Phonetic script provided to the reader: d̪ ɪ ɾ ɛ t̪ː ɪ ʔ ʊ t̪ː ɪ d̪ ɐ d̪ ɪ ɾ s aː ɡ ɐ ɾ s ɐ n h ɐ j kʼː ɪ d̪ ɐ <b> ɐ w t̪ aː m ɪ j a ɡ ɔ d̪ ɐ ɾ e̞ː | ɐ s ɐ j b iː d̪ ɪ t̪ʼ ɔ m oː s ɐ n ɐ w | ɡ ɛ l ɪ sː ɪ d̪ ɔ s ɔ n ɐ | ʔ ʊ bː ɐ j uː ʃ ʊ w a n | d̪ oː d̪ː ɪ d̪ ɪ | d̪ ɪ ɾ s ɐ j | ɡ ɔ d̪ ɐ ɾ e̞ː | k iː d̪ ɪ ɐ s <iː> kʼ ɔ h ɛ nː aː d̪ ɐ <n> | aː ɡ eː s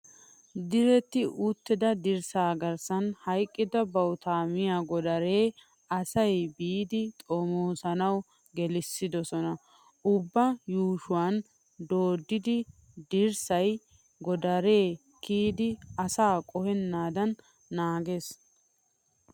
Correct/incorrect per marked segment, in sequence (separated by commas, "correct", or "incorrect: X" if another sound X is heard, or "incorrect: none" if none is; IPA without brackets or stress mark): correct, incorrect: aː, incorrect: nː